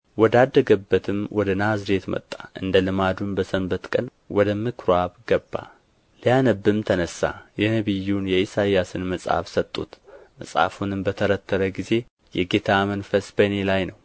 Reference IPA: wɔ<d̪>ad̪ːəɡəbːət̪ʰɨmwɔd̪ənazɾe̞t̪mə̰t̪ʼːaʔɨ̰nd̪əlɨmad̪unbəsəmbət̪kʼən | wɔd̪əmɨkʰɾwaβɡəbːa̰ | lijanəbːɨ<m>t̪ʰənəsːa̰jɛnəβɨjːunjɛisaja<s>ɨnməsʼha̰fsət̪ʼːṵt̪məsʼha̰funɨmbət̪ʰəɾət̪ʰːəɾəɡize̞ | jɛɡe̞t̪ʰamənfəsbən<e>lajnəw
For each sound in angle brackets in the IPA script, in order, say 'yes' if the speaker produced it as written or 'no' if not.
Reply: yes, yes, yes, yes

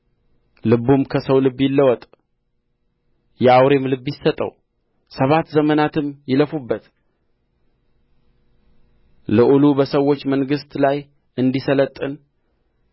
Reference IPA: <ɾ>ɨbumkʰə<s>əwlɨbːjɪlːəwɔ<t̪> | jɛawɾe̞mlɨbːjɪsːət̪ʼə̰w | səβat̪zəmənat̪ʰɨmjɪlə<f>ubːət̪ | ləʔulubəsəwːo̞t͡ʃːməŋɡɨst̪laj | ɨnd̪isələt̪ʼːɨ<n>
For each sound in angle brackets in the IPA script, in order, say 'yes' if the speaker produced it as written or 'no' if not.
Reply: no, yes, no, yes, yes

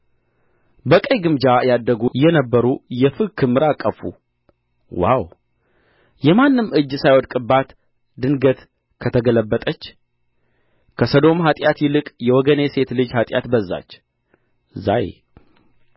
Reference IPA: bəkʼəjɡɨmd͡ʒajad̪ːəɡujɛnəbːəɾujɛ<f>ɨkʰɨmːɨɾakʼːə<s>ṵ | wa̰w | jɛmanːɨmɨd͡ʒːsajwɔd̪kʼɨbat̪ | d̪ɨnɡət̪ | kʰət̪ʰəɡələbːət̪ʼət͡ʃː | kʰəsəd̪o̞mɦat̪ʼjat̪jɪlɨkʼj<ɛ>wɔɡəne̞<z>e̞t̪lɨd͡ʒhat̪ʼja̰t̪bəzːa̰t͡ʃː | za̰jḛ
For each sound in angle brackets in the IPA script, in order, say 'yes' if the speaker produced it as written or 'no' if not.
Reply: yes, no, yes, no

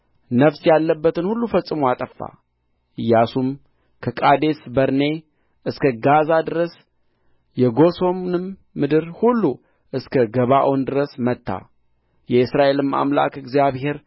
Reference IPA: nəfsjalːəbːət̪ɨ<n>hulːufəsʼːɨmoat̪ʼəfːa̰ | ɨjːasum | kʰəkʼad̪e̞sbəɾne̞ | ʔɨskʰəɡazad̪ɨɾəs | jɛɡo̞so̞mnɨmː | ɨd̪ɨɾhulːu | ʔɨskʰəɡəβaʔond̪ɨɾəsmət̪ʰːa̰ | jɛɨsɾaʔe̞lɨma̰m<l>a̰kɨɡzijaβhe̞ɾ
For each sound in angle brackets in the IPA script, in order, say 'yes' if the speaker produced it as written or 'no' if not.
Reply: yes, yes

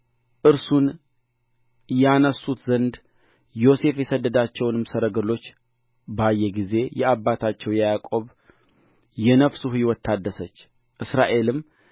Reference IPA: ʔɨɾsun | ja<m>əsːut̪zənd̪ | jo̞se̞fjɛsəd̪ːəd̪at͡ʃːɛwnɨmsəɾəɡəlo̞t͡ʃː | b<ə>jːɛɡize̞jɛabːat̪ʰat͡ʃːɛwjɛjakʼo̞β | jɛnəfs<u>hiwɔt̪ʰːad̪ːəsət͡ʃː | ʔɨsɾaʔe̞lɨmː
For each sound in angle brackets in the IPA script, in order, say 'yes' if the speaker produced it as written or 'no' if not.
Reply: no, no, yes

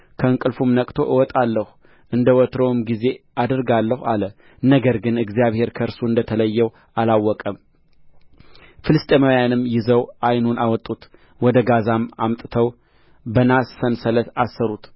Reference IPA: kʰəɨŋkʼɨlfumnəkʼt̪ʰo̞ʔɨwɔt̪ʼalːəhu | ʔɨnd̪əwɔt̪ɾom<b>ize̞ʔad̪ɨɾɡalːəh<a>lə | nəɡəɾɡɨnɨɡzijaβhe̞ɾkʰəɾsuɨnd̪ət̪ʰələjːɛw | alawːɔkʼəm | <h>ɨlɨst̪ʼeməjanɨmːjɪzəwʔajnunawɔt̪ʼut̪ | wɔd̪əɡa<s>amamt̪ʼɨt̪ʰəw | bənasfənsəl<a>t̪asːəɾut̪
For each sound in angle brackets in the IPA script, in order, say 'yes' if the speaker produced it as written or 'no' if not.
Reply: no, yes, no, no, no

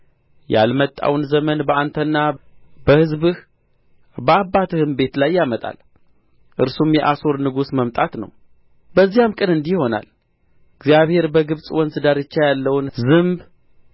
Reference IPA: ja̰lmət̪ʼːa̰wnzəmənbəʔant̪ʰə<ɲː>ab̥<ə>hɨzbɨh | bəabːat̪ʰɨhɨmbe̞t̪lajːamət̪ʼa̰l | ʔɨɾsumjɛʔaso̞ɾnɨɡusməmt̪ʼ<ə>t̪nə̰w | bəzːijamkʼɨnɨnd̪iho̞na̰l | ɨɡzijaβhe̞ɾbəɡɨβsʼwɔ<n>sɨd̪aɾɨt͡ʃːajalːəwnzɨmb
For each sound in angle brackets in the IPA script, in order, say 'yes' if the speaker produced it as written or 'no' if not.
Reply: no, yes, no, yes

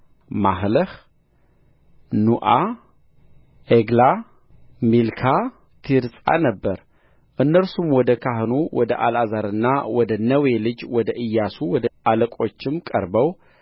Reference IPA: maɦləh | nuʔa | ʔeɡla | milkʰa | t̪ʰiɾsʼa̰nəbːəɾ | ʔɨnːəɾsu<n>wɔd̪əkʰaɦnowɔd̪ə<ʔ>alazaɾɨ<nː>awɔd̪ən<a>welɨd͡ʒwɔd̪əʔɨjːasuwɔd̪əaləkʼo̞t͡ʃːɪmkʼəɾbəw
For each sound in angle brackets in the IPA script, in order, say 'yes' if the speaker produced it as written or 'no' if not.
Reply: no, yes, yes, no

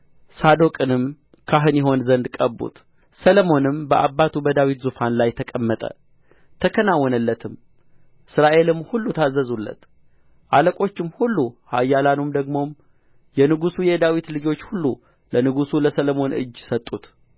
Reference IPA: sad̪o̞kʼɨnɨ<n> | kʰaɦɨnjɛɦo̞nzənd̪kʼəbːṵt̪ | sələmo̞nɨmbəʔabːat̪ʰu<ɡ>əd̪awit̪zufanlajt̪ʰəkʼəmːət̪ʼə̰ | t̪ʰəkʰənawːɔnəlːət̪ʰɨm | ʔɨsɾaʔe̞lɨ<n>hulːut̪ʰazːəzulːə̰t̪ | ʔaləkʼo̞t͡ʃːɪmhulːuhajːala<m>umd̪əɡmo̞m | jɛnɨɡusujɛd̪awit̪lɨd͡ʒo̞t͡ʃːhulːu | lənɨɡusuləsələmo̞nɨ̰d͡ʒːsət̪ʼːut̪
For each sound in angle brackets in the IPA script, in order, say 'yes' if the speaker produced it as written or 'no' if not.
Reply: no, no, no, no

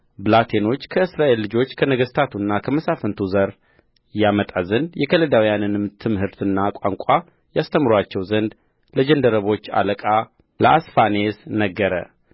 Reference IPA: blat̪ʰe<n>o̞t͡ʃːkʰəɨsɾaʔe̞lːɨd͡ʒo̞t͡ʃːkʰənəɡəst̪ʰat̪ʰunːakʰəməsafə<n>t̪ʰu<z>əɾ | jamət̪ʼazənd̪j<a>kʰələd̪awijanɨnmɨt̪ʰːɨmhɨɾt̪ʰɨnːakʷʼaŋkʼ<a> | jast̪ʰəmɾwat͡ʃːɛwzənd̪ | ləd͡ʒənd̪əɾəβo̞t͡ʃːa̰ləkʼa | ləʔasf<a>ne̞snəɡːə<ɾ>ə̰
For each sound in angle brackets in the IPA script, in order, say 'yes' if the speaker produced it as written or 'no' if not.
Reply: yes, yes, yes, no, yes, yes, yes

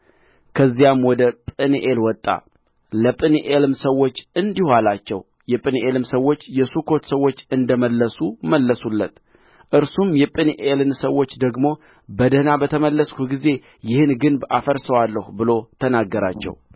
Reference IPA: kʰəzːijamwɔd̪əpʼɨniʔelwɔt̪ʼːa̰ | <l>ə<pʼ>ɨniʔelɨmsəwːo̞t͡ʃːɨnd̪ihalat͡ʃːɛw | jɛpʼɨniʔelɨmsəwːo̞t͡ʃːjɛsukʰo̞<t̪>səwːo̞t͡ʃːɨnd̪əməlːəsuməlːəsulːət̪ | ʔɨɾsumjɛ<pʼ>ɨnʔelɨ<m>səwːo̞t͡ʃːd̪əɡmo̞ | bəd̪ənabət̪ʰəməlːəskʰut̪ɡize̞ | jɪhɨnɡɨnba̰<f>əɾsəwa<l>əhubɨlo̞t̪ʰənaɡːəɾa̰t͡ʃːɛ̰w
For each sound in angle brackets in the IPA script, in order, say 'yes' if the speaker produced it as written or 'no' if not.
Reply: yes, yes, yes, yes, no, yes, no

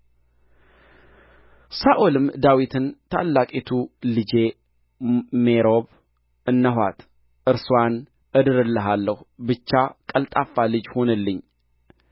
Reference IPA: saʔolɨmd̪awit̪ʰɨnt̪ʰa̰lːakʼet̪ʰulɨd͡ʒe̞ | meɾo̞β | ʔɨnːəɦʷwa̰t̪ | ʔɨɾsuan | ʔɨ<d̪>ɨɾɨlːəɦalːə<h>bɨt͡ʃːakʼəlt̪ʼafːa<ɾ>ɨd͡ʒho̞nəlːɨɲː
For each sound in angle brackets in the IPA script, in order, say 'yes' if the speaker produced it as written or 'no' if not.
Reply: yes, yes, no

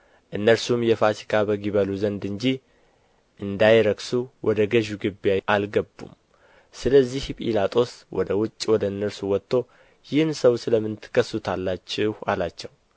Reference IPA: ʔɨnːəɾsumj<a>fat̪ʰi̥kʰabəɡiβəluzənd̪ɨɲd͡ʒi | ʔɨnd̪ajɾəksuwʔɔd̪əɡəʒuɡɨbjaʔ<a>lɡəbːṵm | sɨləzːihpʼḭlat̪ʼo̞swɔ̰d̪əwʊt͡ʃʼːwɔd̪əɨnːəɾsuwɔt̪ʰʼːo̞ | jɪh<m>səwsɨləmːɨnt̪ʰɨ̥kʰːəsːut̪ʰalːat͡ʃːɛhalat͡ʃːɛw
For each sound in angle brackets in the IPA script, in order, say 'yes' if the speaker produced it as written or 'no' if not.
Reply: no, yes, no

